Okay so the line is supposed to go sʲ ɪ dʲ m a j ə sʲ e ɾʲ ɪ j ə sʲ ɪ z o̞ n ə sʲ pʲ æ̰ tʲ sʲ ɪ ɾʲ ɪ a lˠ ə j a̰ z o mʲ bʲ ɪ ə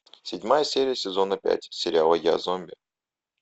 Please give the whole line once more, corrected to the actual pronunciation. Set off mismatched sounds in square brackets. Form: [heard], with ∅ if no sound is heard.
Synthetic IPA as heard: sʲ ɪ dʲ m a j ə sʲ e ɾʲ ɪ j ə sʲ ɪ z o̞ n ə [∅] pʲ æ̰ tʲ sʲ ɪ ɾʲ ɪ a lˠ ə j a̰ z o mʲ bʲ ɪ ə